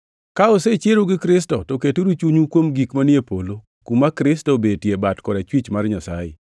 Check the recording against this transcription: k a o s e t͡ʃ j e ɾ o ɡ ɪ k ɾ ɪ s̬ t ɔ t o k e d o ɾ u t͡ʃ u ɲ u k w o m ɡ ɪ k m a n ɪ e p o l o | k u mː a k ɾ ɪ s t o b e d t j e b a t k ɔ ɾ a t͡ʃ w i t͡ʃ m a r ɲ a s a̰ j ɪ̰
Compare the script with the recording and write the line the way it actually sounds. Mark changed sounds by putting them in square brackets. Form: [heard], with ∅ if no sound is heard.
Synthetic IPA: k a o s e t͡ʃ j e ɾ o ɡ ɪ k ɾ ɪ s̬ t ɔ t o k e [t] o ɾ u t͡ʃ u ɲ u k w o m ɡ [i] k m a n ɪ e p o l o | k u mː a k ɾ ɪ s t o b e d t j e b a t k ɔ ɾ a t͡ʃ w i t͡ʃ m a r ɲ a s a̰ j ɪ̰